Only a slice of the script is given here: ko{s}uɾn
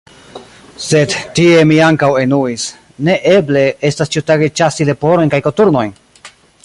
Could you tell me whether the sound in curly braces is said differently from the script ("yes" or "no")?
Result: yes